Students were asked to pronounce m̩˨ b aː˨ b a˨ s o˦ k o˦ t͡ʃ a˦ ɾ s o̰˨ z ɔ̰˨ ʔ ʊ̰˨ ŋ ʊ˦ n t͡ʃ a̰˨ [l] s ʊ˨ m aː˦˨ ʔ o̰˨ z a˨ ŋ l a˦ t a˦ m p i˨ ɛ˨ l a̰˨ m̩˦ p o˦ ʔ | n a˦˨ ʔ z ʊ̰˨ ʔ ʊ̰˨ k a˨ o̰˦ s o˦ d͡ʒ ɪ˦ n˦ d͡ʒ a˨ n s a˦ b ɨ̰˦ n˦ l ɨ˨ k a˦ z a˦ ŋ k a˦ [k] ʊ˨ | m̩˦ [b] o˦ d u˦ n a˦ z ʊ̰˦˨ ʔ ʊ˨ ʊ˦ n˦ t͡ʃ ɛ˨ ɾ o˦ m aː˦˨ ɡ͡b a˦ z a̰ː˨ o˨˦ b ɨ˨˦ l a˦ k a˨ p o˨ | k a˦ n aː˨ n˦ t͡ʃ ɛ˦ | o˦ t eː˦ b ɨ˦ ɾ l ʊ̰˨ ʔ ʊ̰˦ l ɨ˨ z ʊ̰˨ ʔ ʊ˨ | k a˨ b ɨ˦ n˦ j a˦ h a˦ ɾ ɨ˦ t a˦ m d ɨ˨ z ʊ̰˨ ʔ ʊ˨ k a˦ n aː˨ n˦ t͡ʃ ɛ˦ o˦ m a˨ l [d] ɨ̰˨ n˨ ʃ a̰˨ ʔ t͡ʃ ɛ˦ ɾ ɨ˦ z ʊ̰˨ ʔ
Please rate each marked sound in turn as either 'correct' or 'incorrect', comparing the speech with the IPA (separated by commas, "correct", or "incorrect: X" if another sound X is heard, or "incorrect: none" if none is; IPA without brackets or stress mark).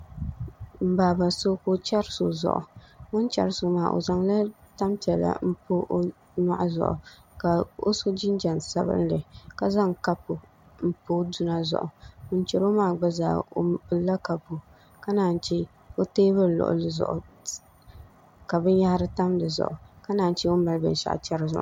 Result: incorrect: ɾ, incorrect: p, incorrect: p, incorrect: b